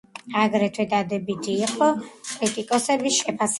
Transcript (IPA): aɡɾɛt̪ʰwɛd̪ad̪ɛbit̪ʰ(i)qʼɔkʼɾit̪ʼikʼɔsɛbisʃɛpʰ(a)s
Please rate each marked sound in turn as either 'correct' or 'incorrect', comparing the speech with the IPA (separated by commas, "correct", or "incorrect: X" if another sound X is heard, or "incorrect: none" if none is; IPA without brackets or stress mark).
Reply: incorrect: iː, correct